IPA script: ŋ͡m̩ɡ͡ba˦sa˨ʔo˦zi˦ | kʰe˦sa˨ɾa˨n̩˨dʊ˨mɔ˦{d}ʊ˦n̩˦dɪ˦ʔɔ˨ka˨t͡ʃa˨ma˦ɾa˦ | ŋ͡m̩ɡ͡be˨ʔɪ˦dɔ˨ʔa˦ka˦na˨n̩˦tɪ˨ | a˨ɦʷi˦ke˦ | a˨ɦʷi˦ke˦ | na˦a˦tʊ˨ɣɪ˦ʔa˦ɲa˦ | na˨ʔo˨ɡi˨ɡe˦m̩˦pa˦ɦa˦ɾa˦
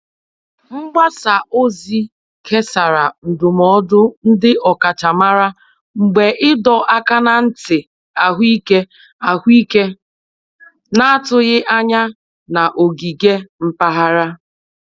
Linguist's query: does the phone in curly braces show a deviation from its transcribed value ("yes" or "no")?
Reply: no